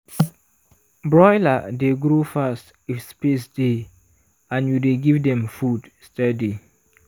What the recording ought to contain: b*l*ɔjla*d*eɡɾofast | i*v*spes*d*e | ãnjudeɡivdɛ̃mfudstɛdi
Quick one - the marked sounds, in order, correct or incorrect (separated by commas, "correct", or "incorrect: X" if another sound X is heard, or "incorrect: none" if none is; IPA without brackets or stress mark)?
incorrect: ɹ, correct, incorrect: f, correct